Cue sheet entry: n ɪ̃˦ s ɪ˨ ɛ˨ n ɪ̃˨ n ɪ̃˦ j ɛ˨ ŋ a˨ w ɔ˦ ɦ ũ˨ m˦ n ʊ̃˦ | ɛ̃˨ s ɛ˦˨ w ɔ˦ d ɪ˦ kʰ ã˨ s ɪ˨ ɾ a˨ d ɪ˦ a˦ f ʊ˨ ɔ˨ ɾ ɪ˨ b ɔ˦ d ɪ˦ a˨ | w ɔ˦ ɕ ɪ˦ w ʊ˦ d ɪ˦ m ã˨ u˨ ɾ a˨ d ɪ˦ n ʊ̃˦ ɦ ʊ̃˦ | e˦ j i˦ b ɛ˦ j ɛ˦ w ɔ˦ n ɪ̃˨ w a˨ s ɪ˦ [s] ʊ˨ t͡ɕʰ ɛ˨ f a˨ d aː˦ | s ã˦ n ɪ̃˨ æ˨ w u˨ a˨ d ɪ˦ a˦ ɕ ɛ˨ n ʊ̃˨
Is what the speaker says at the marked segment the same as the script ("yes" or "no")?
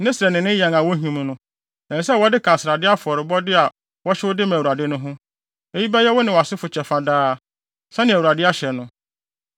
no